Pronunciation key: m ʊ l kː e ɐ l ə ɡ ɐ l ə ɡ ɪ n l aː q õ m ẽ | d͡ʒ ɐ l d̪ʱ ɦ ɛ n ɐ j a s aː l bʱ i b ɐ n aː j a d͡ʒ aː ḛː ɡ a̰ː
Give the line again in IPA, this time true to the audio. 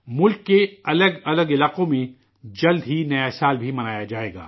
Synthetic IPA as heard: m ʊ l kː e ɐ l ə ɡ ɐ l ə ɡ ɪ l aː q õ m ẽ | d͡ʒ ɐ l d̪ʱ ɦ i n ɐ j a s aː l bʱ i m ɐ n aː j a d͡ʒ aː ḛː ɡ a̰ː